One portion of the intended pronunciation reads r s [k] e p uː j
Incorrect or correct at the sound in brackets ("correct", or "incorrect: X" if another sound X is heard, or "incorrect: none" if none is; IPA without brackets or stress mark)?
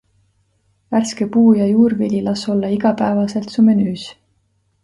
correct